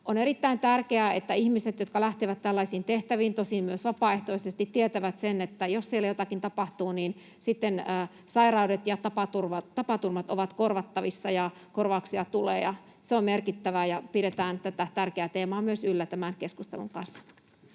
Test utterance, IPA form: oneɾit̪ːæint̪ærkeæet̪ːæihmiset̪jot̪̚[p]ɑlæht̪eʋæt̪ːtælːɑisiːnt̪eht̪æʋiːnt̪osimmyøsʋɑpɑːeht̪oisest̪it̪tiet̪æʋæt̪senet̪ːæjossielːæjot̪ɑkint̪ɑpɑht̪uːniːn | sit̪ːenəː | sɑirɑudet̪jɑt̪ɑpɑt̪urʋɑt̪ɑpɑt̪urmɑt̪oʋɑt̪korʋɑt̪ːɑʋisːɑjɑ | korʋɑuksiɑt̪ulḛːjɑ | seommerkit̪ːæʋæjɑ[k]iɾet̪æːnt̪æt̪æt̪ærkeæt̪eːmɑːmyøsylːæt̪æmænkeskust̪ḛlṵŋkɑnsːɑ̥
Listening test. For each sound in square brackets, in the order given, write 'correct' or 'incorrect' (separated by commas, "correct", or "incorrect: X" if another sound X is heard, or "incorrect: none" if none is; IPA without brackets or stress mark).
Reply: incorrect: k, incorrect: p